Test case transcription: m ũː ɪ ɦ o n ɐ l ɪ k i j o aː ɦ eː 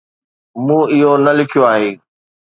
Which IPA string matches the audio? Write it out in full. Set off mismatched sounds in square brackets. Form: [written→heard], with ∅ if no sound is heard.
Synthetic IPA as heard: m ũː ɪ ɦ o n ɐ l ɪ [k→kʰ] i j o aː ɦ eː